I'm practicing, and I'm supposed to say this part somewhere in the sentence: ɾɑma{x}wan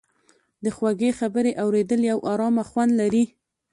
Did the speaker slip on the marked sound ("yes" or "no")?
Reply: no